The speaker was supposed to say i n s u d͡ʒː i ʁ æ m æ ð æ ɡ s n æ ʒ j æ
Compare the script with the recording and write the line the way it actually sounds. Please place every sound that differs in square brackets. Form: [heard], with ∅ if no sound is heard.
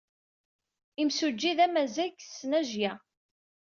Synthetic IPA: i [m] s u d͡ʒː i [ð] æ m æ [z] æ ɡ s n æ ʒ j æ